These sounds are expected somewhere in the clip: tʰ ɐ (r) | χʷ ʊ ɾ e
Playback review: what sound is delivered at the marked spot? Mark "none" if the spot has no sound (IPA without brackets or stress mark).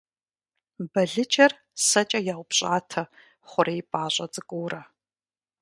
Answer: none